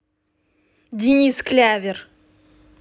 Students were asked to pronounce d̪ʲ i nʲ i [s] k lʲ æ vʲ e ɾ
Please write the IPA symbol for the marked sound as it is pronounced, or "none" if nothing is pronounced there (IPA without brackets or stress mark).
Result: s